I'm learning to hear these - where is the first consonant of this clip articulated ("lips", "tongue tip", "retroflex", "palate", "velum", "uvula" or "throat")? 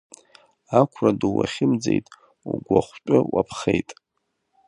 velum